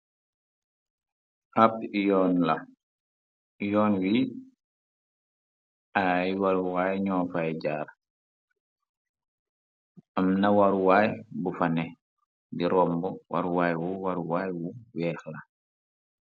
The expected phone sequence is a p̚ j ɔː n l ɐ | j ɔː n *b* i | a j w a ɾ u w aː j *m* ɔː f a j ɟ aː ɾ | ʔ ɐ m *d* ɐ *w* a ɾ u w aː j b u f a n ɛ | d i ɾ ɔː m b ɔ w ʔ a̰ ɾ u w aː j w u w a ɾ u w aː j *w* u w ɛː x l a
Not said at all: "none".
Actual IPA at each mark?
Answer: w, ɲ, n, w, w

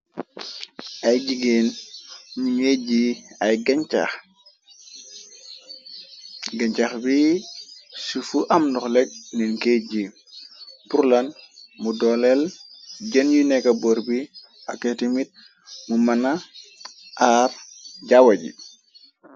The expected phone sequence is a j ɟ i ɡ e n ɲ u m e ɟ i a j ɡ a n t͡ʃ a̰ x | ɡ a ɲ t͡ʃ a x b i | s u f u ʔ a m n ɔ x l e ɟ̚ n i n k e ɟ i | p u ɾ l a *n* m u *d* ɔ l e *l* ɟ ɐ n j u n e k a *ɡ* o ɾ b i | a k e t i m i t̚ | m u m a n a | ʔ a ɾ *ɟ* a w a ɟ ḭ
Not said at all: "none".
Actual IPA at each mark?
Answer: n, d, l, b, ɟ

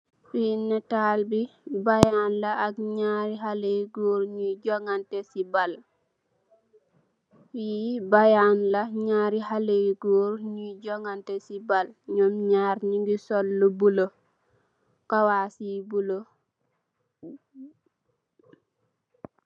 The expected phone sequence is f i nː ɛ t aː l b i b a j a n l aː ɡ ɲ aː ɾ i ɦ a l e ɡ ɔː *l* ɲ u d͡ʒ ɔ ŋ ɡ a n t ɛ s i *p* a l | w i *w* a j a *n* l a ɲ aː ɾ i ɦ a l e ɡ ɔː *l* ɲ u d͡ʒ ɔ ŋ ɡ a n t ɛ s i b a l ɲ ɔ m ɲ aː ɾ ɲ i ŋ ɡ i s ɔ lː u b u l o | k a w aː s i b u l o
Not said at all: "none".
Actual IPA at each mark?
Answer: ɾ, b, b, n, ɾ

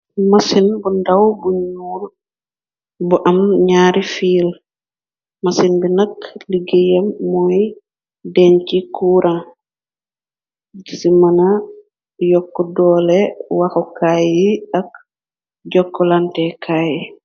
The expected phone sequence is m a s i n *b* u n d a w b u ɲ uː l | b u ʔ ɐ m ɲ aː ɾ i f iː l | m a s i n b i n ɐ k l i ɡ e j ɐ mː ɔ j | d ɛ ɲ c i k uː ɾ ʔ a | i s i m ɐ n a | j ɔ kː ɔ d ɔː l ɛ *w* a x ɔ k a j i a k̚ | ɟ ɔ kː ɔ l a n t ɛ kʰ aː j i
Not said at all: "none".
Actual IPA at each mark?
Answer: b, w

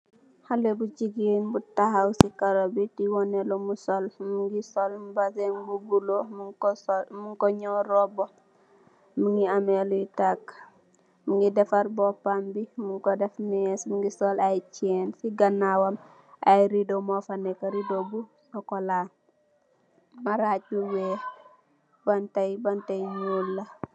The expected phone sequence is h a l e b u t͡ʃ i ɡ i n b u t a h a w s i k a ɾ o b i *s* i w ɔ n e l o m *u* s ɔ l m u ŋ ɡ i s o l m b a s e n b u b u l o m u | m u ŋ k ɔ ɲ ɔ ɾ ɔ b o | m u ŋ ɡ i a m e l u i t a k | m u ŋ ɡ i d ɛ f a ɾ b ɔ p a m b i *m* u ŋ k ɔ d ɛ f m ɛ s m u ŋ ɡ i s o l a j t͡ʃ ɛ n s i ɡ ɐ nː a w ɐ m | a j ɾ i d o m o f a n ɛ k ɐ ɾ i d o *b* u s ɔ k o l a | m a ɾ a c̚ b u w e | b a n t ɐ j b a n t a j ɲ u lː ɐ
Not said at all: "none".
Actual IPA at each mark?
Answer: t, u, m, b

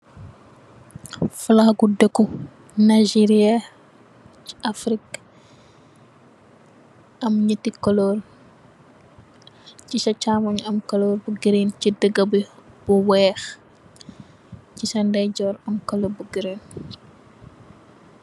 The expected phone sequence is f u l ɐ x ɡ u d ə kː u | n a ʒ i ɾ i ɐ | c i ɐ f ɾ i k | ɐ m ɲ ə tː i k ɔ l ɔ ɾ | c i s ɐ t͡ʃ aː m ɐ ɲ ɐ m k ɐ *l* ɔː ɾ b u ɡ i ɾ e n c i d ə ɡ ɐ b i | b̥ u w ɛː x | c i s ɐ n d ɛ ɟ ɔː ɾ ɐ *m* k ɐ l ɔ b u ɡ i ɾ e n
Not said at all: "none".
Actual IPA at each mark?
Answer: l, m

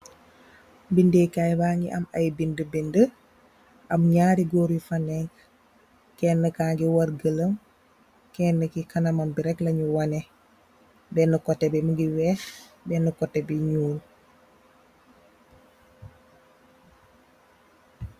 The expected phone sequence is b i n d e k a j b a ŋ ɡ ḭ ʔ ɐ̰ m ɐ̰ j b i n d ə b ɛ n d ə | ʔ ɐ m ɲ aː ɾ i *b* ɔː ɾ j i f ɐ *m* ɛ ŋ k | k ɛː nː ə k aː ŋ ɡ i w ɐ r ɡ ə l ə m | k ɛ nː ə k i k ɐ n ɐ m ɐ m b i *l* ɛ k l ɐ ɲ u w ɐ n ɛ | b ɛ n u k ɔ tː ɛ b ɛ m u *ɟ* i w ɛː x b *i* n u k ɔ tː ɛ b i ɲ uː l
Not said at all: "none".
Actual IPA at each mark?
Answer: ɡ, n, ɾ, ɡ, ɛ

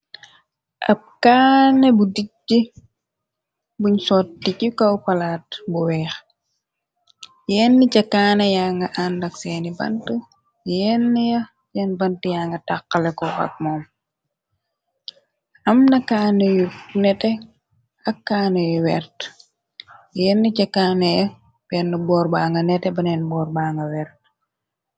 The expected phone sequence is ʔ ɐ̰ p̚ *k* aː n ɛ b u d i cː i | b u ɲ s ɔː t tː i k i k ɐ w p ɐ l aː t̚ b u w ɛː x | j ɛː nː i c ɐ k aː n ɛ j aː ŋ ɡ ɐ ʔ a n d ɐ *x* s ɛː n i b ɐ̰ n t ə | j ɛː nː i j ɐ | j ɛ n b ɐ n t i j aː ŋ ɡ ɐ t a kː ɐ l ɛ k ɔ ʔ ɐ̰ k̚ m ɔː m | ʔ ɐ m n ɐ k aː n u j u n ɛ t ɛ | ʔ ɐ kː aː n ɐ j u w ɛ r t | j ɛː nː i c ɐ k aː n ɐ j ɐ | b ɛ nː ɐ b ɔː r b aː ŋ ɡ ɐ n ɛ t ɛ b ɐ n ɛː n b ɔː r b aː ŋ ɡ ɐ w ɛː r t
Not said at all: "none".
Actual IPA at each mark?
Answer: k, k

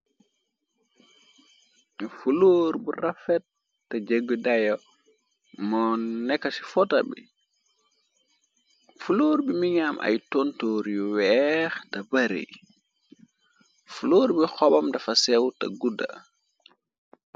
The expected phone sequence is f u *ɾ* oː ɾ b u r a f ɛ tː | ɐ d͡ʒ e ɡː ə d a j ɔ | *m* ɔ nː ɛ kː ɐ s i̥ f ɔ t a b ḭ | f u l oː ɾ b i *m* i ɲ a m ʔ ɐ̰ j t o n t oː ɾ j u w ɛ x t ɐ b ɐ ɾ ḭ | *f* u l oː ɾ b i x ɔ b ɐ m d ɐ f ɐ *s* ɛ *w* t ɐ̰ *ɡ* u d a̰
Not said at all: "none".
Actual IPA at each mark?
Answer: l, m, m, f, s, w, ɡ

